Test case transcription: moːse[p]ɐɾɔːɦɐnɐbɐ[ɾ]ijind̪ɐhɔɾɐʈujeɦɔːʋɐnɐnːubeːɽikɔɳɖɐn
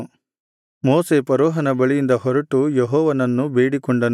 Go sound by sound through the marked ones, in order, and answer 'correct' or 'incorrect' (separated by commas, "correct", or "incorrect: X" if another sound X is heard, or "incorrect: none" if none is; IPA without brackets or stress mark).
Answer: correct, incorrect: ɭ